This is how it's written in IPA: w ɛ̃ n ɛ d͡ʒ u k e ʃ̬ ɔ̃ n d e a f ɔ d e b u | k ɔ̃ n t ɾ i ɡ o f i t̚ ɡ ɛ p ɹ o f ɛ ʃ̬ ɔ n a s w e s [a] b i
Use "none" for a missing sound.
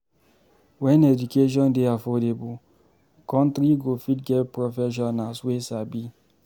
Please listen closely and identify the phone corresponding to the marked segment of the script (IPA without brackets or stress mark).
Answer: a